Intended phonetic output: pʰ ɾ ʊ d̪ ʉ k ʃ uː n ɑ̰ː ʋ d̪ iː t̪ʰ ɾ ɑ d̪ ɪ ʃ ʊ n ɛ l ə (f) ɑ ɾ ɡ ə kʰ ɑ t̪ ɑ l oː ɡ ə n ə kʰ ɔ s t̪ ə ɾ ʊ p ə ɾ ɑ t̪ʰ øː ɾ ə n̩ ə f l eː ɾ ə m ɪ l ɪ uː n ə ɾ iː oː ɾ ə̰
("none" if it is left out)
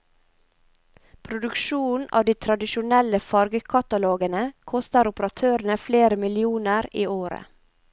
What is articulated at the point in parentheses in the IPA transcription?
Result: f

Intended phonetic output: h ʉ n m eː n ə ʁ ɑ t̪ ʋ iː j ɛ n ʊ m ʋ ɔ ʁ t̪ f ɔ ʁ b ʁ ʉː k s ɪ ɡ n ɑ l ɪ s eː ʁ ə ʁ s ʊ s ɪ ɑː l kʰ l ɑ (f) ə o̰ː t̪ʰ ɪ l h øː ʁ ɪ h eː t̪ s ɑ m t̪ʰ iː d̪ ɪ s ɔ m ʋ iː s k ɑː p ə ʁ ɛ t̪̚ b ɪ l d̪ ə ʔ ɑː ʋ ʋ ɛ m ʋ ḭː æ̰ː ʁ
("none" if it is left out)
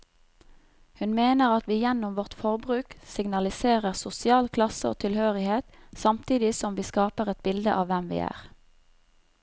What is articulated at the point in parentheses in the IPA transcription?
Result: s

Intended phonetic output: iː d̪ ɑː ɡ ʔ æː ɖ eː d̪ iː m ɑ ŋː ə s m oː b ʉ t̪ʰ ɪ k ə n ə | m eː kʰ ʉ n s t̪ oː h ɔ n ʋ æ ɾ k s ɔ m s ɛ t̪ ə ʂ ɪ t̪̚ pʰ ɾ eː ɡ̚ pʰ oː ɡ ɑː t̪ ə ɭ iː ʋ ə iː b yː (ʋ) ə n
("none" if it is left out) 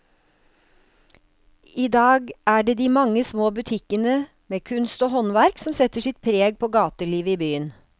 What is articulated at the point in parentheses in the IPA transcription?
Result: none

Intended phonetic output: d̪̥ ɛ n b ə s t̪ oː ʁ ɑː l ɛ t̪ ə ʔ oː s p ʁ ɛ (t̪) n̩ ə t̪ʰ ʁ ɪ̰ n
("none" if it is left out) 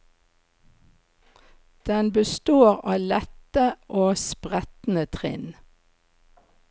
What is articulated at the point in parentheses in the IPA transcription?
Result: t̪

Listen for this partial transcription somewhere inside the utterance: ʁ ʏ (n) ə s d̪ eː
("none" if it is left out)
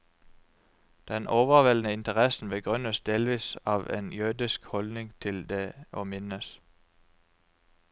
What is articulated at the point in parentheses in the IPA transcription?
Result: n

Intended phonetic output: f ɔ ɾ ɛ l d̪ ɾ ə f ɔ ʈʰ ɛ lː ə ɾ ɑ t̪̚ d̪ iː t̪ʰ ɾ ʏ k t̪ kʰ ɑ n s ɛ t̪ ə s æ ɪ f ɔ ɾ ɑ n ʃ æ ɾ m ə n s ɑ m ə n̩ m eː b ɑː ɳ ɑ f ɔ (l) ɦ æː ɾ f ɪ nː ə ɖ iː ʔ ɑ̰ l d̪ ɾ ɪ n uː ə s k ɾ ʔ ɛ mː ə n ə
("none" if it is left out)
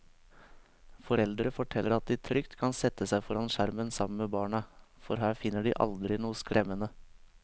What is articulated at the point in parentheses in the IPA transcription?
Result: ɾ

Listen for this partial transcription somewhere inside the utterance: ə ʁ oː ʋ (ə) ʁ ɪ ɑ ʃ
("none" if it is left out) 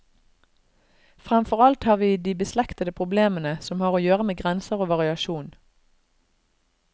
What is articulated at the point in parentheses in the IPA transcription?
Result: ɑ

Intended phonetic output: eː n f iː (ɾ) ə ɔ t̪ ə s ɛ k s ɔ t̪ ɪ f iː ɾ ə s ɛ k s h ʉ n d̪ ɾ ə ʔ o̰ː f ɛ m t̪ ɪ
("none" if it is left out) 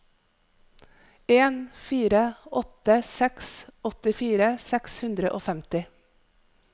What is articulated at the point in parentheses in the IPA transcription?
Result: ɾ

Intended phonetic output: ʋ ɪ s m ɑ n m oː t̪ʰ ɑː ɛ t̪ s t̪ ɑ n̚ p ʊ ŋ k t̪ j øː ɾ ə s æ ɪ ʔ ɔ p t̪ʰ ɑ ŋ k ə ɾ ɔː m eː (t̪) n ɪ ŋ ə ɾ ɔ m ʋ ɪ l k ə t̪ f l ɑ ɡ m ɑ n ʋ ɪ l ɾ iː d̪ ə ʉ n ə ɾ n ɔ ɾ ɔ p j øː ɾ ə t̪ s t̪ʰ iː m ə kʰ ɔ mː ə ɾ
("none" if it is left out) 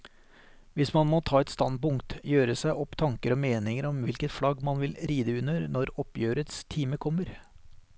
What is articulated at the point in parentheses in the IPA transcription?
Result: none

